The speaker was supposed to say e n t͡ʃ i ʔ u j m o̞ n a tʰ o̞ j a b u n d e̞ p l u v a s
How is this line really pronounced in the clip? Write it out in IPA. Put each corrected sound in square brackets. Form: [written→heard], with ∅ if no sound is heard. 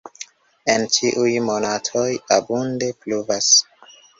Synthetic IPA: e n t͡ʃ i ʔ u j m o̞ n a tʰ o̞ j a b u n d e̞ p l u v a s